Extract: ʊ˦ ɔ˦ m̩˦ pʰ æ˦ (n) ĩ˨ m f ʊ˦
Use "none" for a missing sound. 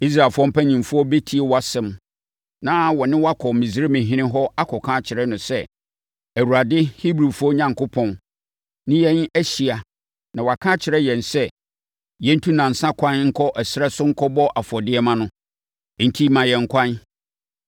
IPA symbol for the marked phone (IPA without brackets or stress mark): ɲ